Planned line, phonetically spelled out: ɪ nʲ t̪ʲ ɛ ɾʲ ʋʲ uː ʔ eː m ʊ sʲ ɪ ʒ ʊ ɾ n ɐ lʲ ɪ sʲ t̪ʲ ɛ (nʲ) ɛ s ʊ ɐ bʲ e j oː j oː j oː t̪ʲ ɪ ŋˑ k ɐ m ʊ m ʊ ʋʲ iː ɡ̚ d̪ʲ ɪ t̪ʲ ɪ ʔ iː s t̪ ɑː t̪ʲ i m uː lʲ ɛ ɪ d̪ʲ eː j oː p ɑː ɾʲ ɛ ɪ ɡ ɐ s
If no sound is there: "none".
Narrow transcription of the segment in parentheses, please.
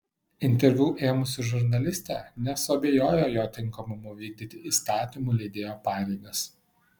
nʲ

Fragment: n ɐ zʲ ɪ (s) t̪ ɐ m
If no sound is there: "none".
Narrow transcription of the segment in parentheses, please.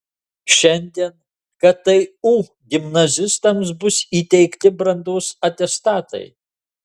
s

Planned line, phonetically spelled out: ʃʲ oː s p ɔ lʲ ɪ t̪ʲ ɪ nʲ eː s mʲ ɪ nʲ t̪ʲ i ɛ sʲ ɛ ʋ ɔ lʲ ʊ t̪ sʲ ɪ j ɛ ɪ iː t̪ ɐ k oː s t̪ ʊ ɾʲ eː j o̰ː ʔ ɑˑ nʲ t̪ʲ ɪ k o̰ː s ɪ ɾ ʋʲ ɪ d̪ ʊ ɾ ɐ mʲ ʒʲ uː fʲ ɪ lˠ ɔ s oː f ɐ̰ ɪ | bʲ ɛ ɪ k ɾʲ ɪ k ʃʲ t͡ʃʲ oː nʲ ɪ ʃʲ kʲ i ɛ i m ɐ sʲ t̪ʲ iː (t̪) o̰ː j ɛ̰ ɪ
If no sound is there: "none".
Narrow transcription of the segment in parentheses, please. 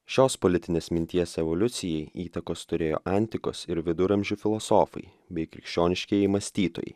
t̪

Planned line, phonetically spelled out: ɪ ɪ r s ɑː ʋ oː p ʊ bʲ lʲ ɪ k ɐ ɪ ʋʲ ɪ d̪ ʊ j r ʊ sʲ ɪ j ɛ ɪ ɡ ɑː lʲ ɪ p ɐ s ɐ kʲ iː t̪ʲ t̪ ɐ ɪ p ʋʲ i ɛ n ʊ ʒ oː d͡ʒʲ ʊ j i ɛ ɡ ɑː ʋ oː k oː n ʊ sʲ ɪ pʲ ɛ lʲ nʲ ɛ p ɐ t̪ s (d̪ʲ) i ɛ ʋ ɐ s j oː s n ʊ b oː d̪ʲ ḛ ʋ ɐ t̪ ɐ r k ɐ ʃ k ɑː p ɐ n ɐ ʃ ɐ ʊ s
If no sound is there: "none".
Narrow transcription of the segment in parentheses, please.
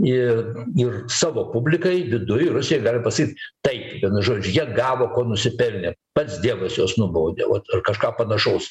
d̪ʲ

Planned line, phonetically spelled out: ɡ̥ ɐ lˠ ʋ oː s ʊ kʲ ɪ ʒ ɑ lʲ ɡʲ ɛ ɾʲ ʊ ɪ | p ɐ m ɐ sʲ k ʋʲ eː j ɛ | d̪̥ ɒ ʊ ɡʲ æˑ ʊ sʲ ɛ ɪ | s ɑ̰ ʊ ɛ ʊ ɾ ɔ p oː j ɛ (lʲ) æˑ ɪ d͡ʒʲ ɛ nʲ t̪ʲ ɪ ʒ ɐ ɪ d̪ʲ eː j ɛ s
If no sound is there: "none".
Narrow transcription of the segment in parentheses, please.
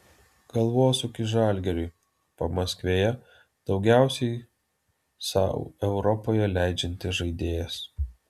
lʲ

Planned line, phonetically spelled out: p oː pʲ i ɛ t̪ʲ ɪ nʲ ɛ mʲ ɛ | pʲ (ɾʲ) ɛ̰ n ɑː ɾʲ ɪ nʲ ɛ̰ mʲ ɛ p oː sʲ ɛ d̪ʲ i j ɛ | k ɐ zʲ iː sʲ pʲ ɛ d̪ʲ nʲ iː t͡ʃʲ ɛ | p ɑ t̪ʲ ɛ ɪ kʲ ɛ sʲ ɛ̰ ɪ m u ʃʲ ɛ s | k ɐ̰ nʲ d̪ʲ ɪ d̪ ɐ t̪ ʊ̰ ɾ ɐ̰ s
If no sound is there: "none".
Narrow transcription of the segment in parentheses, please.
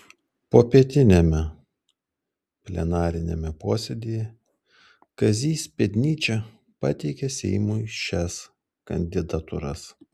lʲ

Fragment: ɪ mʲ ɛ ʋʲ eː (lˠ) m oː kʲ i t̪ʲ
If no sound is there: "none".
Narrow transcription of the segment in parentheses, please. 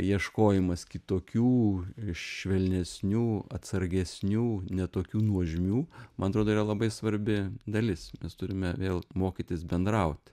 lˠ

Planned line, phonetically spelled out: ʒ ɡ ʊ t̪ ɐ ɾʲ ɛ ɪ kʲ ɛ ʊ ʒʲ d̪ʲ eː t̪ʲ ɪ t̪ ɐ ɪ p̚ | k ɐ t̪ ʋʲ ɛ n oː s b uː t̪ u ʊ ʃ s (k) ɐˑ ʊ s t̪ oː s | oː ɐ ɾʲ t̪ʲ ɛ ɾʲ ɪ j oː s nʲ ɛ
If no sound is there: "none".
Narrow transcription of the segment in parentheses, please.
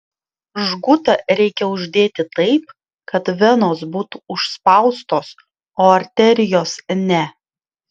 p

